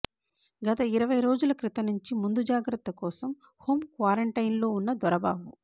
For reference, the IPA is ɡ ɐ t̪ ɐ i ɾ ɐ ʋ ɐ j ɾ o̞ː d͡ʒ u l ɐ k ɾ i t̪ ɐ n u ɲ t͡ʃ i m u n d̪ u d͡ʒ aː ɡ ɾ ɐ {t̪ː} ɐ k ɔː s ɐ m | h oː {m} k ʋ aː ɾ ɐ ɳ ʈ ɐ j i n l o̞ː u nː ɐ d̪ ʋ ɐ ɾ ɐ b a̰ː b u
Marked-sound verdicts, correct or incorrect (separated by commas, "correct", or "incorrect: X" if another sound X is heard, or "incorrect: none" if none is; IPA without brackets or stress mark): correct, correct